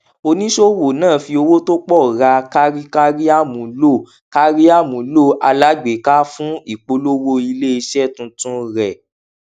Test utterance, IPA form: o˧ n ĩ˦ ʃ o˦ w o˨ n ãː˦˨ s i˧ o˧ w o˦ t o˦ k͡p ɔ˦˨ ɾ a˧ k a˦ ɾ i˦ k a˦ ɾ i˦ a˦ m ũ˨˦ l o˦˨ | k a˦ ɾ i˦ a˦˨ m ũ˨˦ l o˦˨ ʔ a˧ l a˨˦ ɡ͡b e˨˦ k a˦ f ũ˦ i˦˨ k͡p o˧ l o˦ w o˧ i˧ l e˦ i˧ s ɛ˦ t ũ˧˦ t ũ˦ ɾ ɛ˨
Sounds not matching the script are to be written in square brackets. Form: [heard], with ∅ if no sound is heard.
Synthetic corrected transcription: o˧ n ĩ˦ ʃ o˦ w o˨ n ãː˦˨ [f] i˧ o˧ w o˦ t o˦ k͡p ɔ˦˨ ɾ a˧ k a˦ ɾ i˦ k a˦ ɾ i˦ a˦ m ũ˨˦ l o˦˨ | k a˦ ɾ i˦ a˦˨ m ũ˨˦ l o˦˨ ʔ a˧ l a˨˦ ɡ͡b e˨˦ k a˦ f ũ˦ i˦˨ k͡p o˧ l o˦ w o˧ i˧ l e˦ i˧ [ʃ] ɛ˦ t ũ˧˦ t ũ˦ ɾ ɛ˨